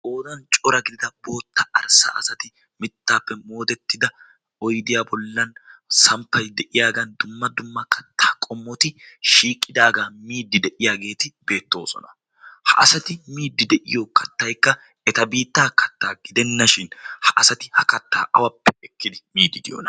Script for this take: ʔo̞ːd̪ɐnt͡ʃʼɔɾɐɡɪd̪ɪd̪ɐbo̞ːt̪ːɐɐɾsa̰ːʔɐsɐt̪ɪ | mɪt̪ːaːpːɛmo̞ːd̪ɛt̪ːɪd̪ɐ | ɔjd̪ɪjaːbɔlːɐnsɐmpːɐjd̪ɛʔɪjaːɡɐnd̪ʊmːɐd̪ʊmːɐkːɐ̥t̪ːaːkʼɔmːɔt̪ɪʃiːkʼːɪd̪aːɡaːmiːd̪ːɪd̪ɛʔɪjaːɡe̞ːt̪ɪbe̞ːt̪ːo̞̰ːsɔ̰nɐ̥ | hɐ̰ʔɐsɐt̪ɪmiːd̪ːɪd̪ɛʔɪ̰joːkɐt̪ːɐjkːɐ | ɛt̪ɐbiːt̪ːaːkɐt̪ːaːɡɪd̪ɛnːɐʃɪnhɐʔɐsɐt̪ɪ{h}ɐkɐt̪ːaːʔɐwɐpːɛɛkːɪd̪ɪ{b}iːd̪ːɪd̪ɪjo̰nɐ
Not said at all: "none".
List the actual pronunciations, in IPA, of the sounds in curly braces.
h, m

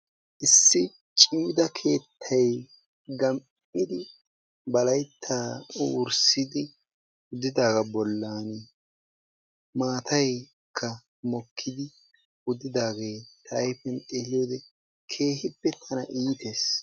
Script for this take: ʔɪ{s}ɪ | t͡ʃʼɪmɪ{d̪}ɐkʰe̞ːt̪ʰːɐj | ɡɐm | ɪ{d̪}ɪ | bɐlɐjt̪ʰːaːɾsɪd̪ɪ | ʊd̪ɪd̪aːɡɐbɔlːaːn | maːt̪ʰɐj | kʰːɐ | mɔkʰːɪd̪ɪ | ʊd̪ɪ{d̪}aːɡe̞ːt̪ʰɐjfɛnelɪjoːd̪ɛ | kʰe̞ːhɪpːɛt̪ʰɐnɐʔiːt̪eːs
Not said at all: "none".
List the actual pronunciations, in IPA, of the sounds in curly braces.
sː, d̪, d̪, d̪

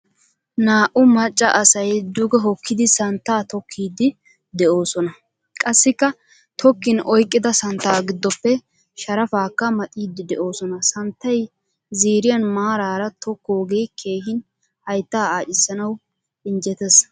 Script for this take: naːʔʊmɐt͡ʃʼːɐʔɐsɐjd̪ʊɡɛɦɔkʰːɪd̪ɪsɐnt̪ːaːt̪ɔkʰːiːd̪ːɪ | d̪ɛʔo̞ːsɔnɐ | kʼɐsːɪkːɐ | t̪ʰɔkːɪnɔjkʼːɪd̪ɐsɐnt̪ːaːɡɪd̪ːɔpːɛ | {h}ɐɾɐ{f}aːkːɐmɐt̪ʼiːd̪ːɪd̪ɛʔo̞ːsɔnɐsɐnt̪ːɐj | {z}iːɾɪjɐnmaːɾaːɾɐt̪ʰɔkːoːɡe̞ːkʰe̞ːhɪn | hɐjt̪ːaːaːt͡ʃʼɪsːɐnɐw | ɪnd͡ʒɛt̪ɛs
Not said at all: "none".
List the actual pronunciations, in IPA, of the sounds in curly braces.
ʃ, f, z

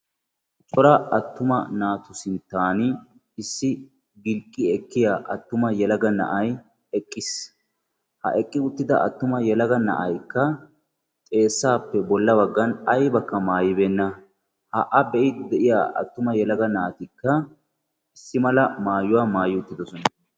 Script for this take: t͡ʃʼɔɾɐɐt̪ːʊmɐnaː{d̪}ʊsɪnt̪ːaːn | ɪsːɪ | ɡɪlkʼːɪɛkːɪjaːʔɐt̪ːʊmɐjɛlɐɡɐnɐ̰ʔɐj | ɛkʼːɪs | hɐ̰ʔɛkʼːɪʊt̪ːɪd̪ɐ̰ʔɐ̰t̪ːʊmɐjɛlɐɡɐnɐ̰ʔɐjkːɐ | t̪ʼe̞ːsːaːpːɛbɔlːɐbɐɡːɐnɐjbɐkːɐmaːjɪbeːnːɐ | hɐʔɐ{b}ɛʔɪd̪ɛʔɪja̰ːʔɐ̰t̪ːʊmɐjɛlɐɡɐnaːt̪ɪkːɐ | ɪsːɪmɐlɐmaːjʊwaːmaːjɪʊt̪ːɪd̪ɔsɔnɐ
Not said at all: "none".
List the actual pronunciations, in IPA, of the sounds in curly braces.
t̪, b

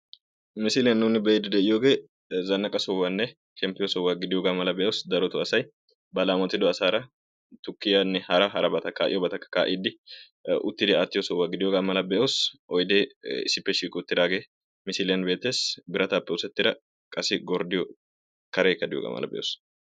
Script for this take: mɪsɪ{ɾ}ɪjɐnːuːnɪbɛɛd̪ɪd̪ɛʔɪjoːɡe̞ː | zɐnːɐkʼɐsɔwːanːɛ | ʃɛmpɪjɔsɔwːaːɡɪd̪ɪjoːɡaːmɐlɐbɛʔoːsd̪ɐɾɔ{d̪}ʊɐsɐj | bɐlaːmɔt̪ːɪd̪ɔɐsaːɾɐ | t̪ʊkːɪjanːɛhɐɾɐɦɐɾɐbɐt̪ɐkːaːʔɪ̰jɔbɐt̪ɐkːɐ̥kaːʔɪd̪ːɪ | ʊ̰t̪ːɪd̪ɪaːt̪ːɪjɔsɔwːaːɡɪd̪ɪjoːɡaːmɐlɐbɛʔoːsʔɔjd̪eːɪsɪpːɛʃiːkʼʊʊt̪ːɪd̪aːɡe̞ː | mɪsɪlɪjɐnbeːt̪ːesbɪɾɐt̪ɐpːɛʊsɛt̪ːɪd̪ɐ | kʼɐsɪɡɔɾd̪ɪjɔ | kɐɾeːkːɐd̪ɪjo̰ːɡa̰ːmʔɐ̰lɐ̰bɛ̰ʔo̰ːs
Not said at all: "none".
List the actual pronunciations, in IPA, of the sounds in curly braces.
l, t̪

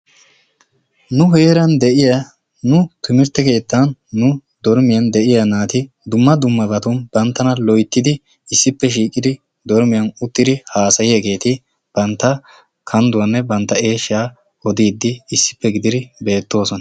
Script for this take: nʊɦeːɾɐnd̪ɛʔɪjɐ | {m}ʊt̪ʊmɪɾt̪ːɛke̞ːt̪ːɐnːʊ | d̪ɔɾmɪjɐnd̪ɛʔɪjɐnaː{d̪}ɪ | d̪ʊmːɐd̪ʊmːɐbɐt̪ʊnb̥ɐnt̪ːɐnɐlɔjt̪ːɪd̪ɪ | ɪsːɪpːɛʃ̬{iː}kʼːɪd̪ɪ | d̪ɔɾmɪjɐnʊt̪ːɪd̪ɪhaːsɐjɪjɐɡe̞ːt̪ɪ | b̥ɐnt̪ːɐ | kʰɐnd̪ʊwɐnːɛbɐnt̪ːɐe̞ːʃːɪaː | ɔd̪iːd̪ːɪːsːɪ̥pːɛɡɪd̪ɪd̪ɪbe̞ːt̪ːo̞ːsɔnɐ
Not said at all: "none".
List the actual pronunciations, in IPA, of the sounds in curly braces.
n, t̪, iː

